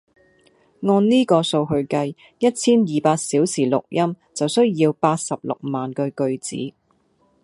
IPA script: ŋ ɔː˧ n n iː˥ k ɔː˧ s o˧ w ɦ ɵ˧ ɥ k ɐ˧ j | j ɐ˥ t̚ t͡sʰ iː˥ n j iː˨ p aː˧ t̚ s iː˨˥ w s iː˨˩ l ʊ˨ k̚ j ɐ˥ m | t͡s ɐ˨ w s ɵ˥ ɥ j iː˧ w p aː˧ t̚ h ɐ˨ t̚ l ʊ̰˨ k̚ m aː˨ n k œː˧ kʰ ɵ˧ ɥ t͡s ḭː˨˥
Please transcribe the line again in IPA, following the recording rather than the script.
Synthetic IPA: ŋ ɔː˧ n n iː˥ k ɔː˧ s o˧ w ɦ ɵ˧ ɥ k ɐ˧ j | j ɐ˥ t̚ t͡sʰ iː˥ n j iː˨ p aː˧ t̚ s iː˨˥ w s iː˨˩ l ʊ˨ k̚ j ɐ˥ m | t͡s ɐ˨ w s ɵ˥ ɥ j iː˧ w p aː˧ t̚ s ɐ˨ p̚ l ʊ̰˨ k̚ m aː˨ n k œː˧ k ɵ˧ ɥ t͡s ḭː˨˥